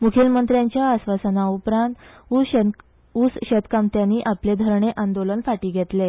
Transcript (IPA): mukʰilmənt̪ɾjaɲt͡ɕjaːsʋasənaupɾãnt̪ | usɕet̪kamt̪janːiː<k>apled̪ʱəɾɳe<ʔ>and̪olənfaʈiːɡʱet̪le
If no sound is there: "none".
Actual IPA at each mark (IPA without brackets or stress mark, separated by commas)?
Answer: ʔ, ʔ